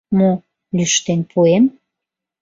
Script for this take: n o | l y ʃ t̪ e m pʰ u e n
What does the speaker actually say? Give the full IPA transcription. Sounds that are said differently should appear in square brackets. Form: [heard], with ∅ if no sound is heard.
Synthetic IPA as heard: [m] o | l y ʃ t̪ e [n] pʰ u e [m]

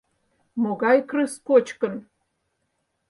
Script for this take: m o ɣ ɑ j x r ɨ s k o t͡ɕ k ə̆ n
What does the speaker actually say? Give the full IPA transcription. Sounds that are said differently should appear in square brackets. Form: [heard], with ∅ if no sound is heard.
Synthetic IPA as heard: m o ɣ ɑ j [k] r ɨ s k o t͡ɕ k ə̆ n

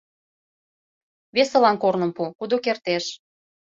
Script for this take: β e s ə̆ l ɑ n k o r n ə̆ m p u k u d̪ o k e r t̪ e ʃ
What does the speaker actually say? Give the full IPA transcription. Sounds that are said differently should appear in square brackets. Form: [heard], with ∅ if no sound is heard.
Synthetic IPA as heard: β e s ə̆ l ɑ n k o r n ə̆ m p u k u d̪ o k e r t̪ e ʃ

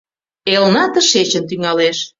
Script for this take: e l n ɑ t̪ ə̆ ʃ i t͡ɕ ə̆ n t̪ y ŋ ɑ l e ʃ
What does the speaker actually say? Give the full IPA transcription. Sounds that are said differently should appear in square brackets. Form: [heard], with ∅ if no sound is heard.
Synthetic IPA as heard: e l n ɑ t̪ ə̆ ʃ [e] t͡ɕ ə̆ n t̪ y ŋ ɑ l e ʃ

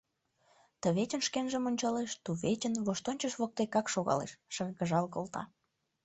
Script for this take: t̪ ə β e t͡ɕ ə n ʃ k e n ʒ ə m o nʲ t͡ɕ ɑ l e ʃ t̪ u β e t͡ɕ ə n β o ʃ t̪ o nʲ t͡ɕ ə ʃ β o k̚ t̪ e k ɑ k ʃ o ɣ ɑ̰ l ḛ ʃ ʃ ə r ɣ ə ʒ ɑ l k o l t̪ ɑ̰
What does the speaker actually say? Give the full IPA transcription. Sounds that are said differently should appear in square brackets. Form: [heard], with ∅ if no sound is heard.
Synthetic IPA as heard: t̪ ə β e t͡ɕ ə n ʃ k e n ʒ ə m o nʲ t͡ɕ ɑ l e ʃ t̪ u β e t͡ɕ ə n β o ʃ t̪ o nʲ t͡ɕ ə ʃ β o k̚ t̪ e k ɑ k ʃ o ɣ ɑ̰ l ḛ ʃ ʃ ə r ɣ ə ʒ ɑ l k o l t̪ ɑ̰

